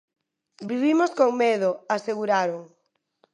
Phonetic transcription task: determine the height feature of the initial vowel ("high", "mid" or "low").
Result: high